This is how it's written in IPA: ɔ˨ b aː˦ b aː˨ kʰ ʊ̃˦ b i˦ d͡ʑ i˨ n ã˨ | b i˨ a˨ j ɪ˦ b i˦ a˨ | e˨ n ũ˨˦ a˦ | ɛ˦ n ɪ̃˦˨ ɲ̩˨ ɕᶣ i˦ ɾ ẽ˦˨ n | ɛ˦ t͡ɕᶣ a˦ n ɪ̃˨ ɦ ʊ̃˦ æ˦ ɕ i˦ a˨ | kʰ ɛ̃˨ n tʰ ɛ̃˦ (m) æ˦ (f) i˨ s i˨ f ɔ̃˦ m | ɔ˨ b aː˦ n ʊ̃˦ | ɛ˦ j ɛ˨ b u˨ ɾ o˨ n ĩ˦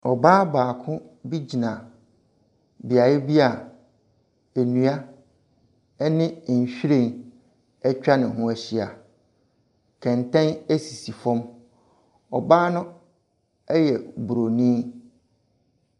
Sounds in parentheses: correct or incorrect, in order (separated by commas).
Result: incorrect, incorrect